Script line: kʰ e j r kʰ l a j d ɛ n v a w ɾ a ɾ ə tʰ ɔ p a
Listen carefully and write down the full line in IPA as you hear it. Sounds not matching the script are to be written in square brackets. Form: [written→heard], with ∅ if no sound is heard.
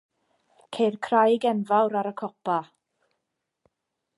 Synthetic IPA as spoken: kʰ e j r kʰ [l→r] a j [d→ɡ] ɛ n v a w ɾ a ɾ ə [tʰ→kʰ] ɔ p a